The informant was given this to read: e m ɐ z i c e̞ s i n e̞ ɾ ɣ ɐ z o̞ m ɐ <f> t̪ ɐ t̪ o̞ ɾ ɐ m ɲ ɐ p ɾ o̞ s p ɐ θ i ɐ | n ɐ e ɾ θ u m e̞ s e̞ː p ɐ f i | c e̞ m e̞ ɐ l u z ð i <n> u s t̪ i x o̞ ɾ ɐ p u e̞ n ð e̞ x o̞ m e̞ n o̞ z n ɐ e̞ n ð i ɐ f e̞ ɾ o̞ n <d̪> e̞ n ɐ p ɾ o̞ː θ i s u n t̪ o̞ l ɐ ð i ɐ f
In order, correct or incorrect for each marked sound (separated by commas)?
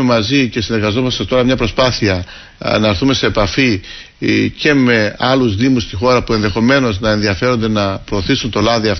incorrect, incorrect, correct